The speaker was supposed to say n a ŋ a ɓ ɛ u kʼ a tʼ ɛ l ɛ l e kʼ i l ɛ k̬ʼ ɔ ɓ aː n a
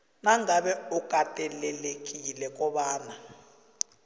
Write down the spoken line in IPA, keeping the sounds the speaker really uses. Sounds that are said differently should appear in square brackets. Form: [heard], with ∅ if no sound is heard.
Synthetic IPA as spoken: n a ŋ a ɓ ɛ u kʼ a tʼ ɛ l ɛ l e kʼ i l ɛ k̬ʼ ɔ ɓ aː n a